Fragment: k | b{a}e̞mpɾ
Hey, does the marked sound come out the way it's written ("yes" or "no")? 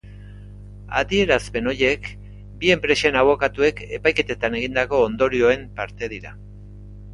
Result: no